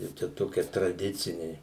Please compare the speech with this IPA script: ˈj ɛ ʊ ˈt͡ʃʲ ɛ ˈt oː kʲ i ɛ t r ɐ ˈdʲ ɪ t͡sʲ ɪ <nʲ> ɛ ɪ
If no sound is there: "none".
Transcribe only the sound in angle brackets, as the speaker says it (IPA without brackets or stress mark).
nʲ